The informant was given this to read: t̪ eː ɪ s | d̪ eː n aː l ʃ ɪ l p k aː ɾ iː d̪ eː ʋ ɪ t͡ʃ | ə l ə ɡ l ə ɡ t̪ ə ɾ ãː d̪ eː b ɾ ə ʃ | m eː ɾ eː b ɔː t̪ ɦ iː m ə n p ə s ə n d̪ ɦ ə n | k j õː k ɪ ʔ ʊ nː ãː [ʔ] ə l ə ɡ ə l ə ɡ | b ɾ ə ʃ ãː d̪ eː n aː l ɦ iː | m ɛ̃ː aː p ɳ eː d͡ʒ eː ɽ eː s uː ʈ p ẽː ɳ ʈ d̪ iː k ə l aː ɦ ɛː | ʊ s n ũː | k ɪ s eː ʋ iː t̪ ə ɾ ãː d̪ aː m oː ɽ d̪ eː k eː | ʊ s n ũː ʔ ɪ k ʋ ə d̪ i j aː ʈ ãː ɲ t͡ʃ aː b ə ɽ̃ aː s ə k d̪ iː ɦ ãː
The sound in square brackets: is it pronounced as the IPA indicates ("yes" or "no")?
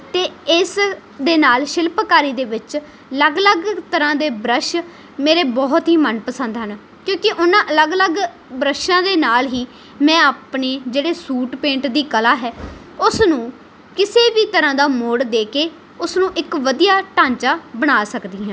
yes